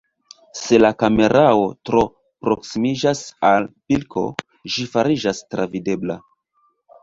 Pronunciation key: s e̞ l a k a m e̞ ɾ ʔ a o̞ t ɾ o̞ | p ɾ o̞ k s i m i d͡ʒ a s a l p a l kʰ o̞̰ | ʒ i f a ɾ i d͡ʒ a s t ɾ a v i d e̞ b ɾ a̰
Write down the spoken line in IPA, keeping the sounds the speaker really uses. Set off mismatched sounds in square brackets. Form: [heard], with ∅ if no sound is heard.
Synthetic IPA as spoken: s e̞ l a k a m e̞ ɾ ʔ a o̞ t ɾ o̞ | p ɾ o̞ k s i m i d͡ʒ a s a l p [i] l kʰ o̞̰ | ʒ i f a ɾ i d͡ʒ a s t ɾ a v i d e̞ b [l] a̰

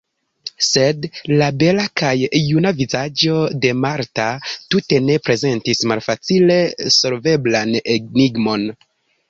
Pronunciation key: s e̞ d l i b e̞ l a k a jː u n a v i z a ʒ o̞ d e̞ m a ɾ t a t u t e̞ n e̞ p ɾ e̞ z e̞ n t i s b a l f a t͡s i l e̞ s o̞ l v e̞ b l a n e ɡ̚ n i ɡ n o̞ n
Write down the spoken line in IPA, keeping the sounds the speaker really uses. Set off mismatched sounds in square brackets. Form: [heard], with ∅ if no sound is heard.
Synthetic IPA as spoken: s e̞ d l [a] b e̞ l a k a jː u n a v i z a [d͡ʒ] o̞ d e̞ m a ɾ t a t u t e̞ n e̞ p ɾ e̞ z e̞ n t i s [m] a l f a t͡s i l e̞ s o̞ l v e̞ b l a n e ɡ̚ n i ɡ [m] o̞ n

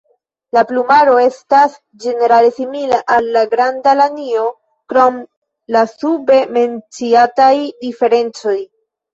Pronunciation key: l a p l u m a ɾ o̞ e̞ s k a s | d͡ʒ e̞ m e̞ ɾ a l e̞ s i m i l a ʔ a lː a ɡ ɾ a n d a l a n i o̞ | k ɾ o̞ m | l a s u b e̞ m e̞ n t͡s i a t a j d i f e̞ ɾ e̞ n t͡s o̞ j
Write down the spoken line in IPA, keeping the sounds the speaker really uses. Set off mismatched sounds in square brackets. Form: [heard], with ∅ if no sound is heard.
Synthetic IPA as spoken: l a p l u m a ɾ o̞ e̞ s [t] a s | d͡ʒ e̞ [n] e̞ ɾ a l e̞ s i m i l a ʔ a lː a ɡ ɾ a n d a l a n i o̞ | k ɾ o̞ m | l a s u b e̞ m e̞ n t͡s i a t a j d i f e̞ ɾ e̞ n t͡s o̞ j

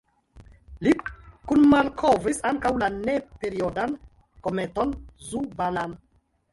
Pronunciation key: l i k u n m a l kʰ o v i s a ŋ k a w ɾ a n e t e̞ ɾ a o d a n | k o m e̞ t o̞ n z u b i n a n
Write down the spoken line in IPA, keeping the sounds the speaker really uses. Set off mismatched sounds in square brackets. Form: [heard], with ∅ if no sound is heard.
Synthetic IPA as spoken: l i k u n m a l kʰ o v i s a ŋ k a w [l] a n e [p] e̞ ɾ [i] o d a n | k o m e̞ t o̞ n z u b [a] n a n

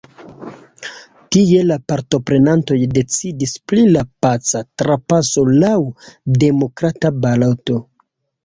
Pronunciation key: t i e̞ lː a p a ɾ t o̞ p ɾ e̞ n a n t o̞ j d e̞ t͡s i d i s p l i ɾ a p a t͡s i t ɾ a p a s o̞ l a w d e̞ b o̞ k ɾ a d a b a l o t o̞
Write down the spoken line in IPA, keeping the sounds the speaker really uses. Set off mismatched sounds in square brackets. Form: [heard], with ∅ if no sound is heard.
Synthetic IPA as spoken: t i e̞ [l] a p a ɾ t o̞ p ɾ e̞ n a n t o̞ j d e̞ t͡s i d i s p l i [l] a p a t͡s [a] t ɾ a p a s o̞ l a w d e̞ [m] o̞ k ɾ a [t] a b a l o t o̞

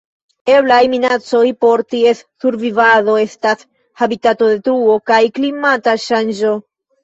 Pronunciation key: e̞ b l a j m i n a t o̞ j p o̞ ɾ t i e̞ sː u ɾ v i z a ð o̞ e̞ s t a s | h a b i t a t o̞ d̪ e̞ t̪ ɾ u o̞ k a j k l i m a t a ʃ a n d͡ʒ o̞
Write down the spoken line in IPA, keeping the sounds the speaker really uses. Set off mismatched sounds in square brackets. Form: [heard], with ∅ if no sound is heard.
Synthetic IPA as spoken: e̞ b l a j m i n a [t͡s] o̞ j p o̞ ɾ t i e̞ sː u ɾ v i [v] a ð o̞ e̞ s t a s | h a b i t a t o̞ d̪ e̞ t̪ ɾ u o̞ k a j k l i m a t a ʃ a n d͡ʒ o̞

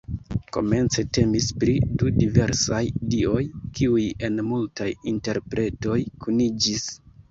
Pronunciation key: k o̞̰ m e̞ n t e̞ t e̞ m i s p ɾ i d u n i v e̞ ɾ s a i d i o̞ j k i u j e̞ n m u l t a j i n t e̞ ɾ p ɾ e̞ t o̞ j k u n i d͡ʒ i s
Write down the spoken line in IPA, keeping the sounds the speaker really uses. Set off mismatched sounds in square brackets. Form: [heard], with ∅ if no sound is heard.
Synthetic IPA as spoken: k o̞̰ m e̞ n [t͡s] e̞ t e̞ m i s p ɾ i d u [d] i v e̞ ɾ s a [j] d i o̞ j k i u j e̞ n m u l t a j i n t e̞ ɾ p ɾ e̞ t o̞ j k u n i d͡ʒ i s

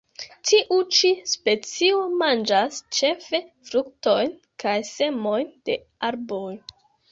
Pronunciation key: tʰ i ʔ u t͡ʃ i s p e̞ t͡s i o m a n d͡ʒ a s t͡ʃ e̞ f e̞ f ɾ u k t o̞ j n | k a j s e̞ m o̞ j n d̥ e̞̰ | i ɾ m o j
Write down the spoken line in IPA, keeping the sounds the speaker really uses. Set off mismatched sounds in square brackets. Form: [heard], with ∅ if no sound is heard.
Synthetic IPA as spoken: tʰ i ʔ u t͡ʃ i s p e̞ t͡s i o m a n d͡ʒ a s t͡ʃ e̞ f e̞ f ɾ u k t o̞ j n | k a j s e̞ m o̞ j n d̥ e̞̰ | [a] ɾ [b] o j

